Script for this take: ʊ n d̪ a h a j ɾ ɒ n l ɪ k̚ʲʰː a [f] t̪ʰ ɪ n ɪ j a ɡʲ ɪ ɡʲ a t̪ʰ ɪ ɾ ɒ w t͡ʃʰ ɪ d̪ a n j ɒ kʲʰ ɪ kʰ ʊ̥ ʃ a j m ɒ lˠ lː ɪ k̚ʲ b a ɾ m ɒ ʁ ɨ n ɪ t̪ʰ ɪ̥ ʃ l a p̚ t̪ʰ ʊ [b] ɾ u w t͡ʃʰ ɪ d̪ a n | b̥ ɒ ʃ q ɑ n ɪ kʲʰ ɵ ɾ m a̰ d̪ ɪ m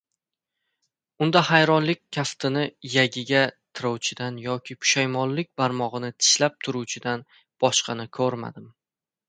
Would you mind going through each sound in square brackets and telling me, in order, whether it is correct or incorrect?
correct, incorrect: none

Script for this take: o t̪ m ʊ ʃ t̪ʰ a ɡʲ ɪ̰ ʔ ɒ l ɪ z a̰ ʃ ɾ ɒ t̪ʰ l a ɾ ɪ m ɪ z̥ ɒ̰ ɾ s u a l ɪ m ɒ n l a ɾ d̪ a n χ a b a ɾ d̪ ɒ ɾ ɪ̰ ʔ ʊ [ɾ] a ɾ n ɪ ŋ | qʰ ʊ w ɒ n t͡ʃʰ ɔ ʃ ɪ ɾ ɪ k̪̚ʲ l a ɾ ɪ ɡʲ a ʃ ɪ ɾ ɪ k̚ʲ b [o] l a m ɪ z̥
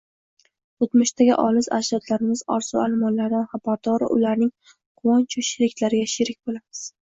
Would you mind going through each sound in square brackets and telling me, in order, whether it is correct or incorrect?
incorrect: l, correct

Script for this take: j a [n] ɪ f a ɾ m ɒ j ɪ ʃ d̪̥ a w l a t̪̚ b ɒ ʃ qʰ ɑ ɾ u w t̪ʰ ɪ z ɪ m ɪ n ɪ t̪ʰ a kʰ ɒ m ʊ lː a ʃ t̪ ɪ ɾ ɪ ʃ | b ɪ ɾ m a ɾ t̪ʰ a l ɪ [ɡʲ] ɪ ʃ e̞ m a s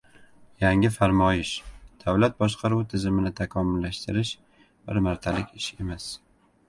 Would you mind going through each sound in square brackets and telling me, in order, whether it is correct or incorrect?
incorrect: ŋ, incorrect: kʲ

